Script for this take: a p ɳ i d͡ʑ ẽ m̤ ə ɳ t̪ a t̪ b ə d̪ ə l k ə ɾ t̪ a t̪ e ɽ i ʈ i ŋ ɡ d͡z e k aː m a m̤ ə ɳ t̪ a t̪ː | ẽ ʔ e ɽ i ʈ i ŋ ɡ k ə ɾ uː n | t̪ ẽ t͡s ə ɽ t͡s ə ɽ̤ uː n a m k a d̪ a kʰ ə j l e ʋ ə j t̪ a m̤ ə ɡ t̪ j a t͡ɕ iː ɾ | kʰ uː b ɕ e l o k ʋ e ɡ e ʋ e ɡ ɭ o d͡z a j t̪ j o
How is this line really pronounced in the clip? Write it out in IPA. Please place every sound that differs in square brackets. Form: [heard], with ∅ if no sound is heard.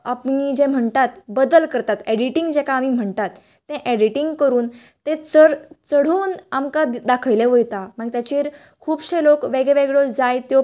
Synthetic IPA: a p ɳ i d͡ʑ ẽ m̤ ə ɳ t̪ a t̪ b ə d̪ ə l k ə ɾ t̪ a t̪ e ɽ i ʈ i ŋ ɡ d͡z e k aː m [i] m̤ ə ɳ t̪ a t̪ː | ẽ ʔ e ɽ i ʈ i ŋ ɡ k ə ɾ uː n | t̪ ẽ t͡s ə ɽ t͡s ə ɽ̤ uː n a m k a d̪ a kʰ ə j l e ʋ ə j t̪ a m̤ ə ɡ t̪ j a t͡ɕ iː ɾ | kʰ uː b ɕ e l o k ʋ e ɡ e ʋ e ɡ ɭ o d͡z a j t̪ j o